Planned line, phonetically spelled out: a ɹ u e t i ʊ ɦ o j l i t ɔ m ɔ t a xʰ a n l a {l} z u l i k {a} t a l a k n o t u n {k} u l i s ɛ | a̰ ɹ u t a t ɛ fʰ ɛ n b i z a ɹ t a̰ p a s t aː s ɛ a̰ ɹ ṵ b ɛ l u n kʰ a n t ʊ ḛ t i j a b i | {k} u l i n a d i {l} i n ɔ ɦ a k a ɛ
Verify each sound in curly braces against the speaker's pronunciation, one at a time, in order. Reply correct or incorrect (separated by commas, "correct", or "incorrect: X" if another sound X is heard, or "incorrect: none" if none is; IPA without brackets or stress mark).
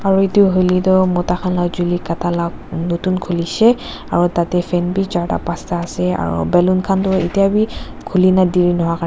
incorrect: none, correct, incorrect: kʰ, incorrect: kʰ, incorrect: ɹ